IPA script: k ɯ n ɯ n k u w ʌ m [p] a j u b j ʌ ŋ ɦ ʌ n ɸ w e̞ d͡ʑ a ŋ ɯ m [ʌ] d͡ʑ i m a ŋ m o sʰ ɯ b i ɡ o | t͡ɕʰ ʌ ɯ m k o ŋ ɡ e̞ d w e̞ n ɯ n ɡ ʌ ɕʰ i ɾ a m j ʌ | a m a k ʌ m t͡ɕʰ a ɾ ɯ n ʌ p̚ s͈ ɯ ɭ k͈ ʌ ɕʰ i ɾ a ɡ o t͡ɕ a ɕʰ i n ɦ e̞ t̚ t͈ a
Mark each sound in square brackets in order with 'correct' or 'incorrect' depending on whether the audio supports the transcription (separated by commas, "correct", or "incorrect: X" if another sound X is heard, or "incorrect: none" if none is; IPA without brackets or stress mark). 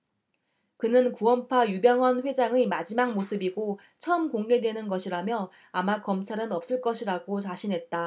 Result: incorrect: pʰ, incorrect: a